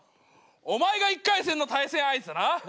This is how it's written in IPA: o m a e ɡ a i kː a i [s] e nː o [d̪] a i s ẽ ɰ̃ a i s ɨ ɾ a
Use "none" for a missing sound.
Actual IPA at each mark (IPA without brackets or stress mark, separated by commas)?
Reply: s, t̪